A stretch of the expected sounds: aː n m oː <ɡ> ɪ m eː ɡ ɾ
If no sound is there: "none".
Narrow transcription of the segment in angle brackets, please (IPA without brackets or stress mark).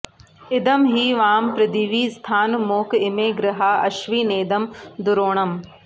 k